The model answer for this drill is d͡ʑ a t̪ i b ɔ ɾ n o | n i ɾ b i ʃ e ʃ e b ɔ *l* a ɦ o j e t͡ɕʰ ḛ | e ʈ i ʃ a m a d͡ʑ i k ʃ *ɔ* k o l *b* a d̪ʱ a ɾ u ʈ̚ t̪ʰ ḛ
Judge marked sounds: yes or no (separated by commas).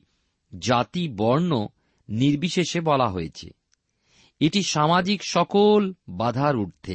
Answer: yes, yes, yes